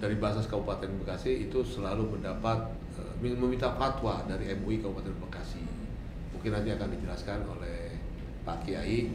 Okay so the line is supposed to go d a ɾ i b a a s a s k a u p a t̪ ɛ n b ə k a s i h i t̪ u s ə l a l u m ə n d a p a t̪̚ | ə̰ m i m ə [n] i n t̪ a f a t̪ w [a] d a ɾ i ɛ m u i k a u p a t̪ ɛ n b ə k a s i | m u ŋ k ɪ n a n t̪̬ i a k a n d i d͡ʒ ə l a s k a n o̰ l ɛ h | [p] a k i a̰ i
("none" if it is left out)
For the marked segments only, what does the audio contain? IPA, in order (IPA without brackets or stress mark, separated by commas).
m, a, p